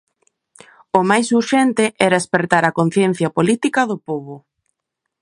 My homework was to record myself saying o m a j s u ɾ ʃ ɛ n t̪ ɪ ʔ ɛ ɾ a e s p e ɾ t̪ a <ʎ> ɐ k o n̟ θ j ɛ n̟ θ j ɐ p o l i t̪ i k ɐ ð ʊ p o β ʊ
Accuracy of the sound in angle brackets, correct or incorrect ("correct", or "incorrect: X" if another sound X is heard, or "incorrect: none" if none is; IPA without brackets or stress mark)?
incorrect: ɾ